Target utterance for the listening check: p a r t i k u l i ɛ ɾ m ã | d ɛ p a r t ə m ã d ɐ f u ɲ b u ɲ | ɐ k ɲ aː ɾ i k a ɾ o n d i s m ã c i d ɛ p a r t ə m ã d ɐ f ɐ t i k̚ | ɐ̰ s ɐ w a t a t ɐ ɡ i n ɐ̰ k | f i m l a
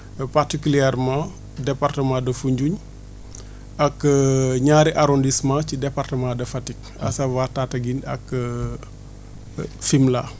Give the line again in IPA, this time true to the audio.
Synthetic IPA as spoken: p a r t i k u l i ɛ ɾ m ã | d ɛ p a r t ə m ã d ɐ f u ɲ ɟ u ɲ | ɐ k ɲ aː ɾ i ʔ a ɾ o n d i s m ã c i d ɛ p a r t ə m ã d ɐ f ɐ t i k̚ | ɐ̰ s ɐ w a t a t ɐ ɡ i n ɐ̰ k | f i m l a

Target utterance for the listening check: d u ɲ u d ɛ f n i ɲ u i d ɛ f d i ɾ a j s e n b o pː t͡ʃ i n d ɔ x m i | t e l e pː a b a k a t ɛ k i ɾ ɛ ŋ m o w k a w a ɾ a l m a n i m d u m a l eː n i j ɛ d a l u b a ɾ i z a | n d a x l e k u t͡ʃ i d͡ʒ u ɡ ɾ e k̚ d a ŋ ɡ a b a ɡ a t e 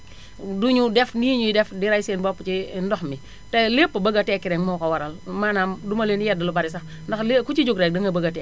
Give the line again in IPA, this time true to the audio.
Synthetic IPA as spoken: d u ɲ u d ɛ f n i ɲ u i d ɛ f d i ɾ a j s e n b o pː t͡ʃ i n d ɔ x m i | t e l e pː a b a ɡ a t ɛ k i ɾ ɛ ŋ m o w k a w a ɾ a l m a n a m d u m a l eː n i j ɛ d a l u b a ɾ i s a | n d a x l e k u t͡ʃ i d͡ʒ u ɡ ɾ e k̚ d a ŋ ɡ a b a ɡ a t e

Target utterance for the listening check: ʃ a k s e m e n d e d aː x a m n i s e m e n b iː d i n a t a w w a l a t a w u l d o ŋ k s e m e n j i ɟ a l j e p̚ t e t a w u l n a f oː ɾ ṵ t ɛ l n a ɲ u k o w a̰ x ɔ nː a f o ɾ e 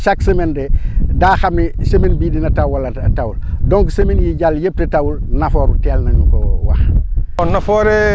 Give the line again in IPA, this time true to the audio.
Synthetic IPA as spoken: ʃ a k s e m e n d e d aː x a m n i s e m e n b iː d i n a t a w w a l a t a w u l d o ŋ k s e m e n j i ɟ a l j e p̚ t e t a w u l n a f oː ɾ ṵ t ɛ l n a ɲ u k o w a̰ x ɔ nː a f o ɾ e

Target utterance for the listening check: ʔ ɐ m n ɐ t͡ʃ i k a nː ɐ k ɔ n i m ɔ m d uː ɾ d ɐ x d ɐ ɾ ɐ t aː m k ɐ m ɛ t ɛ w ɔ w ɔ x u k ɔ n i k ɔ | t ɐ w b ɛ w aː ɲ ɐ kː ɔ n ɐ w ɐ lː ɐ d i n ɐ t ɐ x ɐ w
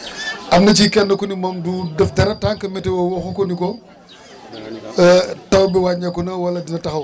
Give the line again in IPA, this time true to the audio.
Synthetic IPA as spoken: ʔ ɐ m n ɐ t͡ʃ i k ɛ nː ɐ k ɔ n i m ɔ m d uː d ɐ f d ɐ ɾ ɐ t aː ŋ k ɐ m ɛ t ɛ w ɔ w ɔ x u k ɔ n i k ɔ | t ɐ w b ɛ w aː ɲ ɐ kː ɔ n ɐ w ɐ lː ɐ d i n ɐ t ɐ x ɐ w

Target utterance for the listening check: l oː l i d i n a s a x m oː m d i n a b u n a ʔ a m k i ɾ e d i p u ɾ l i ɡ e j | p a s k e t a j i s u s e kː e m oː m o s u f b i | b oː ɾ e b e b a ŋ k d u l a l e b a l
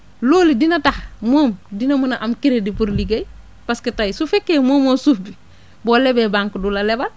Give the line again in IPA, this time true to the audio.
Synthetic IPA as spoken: l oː l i d i n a t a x m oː m d i n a m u n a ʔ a m k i ɾ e d i p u ɾ l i ɡ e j | p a s k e t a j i s u f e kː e m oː m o s u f b i | b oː l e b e b a ŋ k d u l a l e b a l

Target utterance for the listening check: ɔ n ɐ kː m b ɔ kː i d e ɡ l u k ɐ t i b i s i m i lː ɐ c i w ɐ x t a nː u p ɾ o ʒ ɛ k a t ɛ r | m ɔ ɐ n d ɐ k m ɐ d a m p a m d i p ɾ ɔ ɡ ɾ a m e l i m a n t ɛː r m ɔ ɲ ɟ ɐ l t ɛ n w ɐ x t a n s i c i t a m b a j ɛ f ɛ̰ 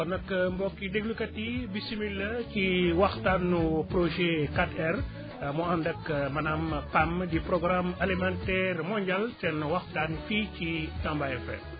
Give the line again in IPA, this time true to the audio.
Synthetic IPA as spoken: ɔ n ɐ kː m b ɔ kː i d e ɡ l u k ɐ t i b i s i m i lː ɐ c i w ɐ x t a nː u p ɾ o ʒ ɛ k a t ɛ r | m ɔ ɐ n d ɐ k m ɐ n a m p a m d i p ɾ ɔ ɡ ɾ a m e l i m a n t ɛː r m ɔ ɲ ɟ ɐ l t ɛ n w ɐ x t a n f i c i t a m b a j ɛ f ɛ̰

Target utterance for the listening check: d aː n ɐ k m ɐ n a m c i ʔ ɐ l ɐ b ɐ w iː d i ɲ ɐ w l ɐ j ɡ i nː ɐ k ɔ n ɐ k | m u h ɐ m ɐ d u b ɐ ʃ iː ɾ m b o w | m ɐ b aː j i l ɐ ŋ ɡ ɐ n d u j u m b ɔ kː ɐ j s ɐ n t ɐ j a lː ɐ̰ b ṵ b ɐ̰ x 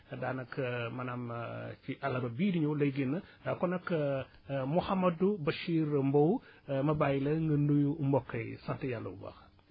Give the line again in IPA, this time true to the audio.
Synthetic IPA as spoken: d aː n ɐ k m ɐ n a m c i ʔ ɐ l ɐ b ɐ b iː d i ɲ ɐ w l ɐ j ɡ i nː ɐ k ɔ n ɐ k | m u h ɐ m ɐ d u b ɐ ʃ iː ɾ m b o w | m ɐ b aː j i l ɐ ŋ ɡ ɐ n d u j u m b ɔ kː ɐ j s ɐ n t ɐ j a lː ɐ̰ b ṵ b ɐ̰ x

